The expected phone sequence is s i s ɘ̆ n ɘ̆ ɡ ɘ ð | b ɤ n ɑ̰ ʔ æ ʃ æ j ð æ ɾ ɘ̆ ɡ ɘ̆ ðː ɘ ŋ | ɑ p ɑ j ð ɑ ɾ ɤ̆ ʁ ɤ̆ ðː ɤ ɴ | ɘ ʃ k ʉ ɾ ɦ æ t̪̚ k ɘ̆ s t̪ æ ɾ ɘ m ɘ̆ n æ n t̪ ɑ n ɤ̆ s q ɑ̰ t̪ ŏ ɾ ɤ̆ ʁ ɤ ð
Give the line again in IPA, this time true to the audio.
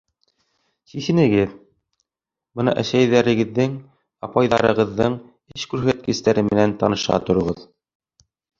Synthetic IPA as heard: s i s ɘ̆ n ɘ̆ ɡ ɘ ð | b ɤ n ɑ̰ ʔ æ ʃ æ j ð æ ɾ ɘ̆ ɡ ɘ̆ ðː ɘ ŋ | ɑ p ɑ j ð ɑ ɾ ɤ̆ ʁ ɤ̆ ðː ɤ ɴ | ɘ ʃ k ʉ ɾ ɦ æ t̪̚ k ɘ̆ s t̪ æ ɾ ɘ m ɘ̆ n æ n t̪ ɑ n ɤ̆ ʃ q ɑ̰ t̪ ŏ ɾ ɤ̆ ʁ ɤ ð